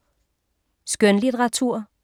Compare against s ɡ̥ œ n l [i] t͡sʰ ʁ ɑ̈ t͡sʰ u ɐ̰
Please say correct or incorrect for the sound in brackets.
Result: correct